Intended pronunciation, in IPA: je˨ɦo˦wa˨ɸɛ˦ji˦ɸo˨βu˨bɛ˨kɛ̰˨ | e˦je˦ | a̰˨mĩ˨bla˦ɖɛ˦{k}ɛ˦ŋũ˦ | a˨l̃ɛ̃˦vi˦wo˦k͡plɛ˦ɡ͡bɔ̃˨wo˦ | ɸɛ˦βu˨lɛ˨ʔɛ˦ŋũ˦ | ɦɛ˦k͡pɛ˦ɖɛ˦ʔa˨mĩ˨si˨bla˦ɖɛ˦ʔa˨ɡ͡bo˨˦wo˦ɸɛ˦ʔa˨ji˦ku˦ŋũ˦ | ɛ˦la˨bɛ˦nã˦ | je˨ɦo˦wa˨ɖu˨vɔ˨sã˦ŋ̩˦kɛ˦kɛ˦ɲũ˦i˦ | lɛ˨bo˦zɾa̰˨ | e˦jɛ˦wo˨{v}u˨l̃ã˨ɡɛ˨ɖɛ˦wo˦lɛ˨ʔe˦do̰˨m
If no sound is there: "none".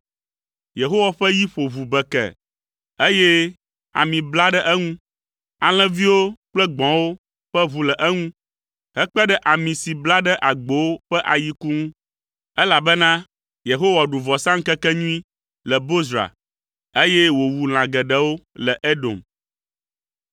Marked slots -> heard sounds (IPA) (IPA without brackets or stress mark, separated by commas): ʔ, w